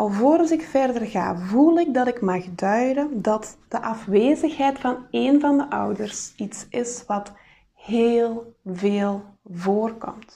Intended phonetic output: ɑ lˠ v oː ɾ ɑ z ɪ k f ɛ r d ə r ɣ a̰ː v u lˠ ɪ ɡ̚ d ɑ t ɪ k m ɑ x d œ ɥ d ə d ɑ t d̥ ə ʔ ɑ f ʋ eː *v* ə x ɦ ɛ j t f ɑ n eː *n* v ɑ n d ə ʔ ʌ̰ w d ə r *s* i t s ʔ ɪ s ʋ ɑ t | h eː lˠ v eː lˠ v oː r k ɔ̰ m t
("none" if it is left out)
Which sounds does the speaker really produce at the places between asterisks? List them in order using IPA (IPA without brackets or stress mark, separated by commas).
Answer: z, n, s